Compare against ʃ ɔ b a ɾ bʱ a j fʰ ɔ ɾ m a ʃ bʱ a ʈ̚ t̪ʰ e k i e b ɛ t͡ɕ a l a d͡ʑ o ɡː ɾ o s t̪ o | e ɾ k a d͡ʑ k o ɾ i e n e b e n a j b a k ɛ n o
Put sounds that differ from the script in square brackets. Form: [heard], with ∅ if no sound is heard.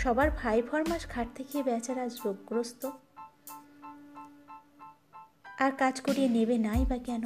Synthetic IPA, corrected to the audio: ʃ ɔ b a ɾ bʱ a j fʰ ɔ ɾ m a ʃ [ɡʱ] a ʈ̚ t̪ʰ e k i e b ɛ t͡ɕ a [ɾ] a d͡ʑ o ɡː ɾ o s t̪ o | [a] ɾ k a d͡ʑ k o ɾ i e n e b e n a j b a k ɛ n o